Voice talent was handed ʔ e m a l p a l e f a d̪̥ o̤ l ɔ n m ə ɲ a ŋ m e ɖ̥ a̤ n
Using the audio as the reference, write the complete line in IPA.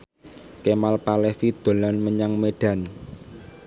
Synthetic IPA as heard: k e m a l p a l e f i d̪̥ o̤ l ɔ n m ə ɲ a ŋ m e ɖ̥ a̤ n